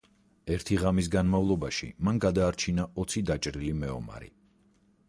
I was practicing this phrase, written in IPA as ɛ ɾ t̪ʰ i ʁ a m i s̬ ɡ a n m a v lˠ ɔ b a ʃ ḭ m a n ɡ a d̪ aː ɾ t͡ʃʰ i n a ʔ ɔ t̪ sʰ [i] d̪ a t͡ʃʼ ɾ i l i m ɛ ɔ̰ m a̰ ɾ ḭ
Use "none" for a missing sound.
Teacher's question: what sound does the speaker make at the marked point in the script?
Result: i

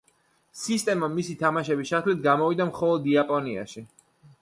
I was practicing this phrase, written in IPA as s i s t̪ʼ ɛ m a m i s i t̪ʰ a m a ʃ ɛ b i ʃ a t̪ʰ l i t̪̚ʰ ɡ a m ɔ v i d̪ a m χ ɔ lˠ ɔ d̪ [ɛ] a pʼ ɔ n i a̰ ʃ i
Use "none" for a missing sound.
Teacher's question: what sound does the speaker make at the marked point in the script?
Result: i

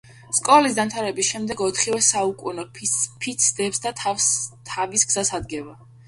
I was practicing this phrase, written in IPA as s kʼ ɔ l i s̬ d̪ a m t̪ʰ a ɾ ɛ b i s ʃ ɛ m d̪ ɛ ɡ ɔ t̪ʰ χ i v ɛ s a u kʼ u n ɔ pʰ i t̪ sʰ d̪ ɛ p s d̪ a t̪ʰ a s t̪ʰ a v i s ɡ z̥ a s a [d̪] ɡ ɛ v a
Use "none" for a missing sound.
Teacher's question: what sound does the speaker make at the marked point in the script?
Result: d̪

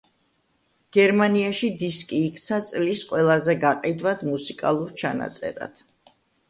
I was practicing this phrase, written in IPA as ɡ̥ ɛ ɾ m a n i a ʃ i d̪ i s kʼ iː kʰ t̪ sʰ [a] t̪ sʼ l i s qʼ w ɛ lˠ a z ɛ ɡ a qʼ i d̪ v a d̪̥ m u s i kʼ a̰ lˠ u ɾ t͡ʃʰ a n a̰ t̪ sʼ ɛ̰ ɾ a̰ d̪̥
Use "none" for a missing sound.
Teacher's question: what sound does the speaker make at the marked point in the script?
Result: a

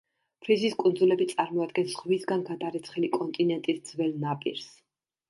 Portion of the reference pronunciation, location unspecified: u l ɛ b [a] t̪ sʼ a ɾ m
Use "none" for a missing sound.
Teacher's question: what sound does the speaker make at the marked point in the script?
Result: i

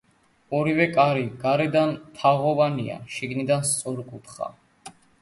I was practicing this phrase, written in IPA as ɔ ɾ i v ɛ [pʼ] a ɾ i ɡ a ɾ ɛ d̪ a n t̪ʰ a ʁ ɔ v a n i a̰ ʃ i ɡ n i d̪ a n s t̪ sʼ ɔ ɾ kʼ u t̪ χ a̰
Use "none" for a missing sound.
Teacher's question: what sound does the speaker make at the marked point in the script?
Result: kʼ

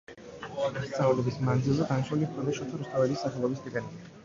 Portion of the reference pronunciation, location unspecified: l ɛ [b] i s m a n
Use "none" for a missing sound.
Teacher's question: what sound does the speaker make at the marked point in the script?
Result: b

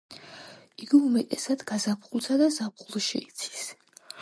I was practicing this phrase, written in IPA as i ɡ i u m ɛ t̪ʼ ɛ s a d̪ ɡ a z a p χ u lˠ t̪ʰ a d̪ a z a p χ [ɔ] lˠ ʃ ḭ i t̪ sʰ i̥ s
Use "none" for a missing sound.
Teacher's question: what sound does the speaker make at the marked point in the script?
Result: u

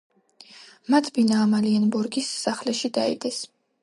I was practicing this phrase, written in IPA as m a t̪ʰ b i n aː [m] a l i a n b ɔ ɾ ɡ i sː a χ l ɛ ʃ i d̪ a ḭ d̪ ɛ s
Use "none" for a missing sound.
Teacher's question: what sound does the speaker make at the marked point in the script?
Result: m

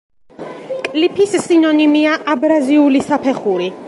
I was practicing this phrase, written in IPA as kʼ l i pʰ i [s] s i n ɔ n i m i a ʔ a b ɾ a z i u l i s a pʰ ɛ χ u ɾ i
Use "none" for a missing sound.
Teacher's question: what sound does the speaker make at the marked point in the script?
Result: s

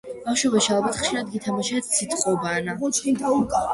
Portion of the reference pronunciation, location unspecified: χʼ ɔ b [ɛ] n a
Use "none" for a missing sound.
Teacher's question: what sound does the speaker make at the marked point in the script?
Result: a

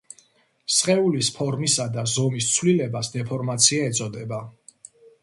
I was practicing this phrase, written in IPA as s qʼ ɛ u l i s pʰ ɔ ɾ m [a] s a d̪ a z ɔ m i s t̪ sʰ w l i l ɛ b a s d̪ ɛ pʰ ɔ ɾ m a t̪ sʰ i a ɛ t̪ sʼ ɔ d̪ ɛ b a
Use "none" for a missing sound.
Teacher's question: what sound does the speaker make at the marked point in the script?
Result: i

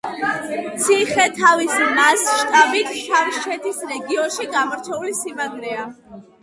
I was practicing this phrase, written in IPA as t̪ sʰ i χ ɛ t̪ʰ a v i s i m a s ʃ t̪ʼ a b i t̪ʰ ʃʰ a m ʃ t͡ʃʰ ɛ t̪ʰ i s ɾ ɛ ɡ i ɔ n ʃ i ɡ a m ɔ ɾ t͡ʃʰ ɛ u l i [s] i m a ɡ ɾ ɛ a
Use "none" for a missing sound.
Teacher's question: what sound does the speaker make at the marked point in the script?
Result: s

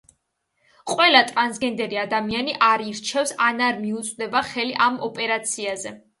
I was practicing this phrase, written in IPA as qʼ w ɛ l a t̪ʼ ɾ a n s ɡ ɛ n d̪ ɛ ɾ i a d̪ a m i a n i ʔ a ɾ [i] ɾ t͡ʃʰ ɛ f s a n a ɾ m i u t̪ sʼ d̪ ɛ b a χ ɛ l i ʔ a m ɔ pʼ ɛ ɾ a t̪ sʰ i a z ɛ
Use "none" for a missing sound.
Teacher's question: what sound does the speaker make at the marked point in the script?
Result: i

